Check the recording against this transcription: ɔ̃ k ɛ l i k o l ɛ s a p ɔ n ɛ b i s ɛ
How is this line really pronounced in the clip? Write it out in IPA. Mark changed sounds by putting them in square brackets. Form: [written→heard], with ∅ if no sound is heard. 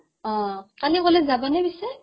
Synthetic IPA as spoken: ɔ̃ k [ɛ→a] l i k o l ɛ [s→z] a [p→b] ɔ n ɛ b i s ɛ